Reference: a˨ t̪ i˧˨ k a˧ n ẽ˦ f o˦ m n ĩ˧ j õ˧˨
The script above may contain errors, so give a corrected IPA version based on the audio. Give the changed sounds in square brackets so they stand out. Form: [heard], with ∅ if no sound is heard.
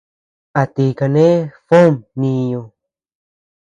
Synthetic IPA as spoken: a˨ t̪ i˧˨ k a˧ n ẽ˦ f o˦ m n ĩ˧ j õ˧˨

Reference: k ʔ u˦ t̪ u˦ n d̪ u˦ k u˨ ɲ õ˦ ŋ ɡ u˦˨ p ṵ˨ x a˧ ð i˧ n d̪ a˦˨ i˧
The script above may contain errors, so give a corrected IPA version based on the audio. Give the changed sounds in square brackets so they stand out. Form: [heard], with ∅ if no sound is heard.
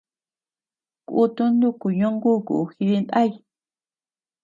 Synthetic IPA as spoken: k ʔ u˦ t̪ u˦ n d̪ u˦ k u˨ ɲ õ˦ ŋ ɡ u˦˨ [k] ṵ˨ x [i˧] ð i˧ n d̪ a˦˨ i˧

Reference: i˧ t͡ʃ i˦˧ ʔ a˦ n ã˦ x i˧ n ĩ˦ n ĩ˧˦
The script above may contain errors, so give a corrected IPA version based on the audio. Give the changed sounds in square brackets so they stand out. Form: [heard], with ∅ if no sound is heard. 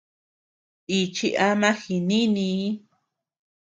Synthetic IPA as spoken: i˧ t͡ʃ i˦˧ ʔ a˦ [m] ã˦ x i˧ n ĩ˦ n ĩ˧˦

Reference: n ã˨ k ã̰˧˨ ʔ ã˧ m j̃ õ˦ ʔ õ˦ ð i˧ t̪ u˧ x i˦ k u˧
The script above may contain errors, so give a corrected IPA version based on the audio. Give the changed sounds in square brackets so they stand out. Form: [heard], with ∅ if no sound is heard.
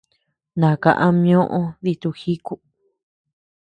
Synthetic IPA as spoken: n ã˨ k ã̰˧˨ ʔ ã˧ m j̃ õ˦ ʔ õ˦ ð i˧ t̪ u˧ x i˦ k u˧

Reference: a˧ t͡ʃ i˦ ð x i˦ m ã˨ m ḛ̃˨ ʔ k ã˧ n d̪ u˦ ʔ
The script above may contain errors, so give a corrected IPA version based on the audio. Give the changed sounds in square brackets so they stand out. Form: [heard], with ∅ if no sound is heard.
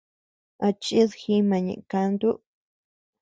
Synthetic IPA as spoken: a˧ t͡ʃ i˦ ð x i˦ m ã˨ [ɲ] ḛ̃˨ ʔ k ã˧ n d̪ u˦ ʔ

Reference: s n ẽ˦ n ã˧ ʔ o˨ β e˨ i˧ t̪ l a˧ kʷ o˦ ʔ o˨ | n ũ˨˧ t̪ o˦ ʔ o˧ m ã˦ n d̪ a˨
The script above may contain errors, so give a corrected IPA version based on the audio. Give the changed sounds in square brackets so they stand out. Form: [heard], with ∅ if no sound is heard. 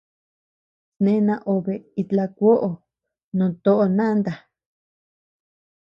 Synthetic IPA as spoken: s n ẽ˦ n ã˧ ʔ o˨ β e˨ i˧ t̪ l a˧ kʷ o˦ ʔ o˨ | n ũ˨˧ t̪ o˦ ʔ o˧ [n] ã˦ n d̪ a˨

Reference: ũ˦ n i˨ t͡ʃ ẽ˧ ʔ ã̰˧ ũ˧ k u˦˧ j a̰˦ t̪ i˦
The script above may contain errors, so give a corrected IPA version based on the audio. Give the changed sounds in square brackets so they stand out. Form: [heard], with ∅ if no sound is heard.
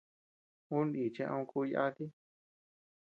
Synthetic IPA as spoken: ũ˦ n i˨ t͡ʃ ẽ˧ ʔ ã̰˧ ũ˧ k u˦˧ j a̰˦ t̪ i˦

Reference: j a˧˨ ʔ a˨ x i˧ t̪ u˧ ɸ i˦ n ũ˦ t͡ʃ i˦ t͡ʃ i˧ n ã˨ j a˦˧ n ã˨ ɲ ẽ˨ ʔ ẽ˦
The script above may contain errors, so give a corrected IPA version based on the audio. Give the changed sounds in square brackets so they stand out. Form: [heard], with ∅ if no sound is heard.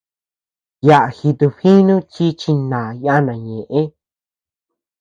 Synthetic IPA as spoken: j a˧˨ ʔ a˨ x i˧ t̪ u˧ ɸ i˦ n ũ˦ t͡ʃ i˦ t͡ʃ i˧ n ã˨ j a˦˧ n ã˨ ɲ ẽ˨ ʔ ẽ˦

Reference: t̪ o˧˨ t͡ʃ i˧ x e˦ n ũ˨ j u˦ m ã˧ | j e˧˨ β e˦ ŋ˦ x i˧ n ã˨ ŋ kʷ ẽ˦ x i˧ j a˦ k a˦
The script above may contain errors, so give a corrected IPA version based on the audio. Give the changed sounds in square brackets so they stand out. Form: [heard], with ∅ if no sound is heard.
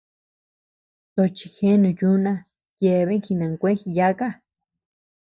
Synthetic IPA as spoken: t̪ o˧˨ t͡ʃ i˧ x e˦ n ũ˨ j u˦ [n] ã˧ | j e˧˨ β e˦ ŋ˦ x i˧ n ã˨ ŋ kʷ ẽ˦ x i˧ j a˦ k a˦

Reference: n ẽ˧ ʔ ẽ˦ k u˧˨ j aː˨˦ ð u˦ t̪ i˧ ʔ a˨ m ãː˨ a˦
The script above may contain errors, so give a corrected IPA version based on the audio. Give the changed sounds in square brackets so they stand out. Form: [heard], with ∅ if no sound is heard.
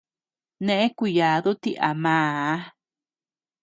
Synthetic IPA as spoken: n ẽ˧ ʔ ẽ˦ k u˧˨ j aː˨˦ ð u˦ t̪ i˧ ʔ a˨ m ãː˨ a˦

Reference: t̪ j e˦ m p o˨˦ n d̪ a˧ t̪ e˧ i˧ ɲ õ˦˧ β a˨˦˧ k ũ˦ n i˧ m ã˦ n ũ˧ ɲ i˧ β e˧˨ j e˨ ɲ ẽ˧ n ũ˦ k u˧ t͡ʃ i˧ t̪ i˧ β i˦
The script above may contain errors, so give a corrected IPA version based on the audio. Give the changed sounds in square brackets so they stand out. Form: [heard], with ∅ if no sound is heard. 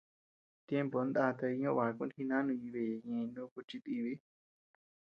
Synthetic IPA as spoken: t̪ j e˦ m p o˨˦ n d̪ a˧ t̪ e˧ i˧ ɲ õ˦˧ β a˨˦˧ k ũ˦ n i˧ [n] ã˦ n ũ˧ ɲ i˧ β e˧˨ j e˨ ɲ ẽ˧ n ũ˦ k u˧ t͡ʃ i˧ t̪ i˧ β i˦

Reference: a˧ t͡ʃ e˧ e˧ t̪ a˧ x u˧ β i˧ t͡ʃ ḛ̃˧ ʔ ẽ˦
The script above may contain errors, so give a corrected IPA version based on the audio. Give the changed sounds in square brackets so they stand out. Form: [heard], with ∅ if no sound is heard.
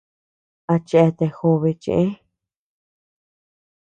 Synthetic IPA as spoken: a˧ t͡ʃ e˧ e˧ t̪ [e˧] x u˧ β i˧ t͡ʃ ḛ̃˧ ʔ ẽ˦

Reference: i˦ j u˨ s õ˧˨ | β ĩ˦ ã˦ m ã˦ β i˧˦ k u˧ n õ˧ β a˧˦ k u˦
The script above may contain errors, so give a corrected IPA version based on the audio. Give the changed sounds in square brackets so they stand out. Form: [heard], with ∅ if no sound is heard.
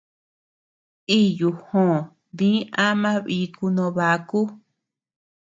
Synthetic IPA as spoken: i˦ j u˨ [h] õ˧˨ | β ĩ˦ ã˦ m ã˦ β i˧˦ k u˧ n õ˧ β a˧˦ k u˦

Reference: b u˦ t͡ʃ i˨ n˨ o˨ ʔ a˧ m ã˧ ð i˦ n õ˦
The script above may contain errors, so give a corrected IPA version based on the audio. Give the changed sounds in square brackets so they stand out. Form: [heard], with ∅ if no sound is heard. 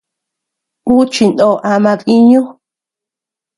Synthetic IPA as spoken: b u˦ t͡ʃ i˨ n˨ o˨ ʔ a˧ m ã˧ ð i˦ [ɲ] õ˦

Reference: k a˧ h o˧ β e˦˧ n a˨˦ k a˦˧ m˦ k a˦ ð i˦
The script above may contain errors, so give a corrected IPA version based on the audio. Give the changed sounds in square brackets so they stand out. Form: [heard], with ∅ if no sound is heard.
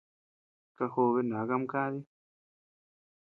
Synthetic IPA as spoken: k a˧ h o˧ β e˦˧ n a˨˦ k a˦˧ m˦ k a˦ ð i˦

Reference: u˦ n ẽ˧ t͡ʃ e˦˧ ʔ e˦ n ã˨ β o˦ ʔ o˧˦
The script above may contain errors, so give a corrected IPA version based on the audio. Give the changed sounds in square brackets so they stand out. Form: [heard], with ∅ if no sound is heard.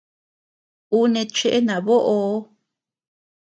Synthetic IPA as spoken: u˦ n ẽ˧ t͡ʃ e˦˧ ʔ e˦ n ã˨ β o˦ ʔ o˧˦

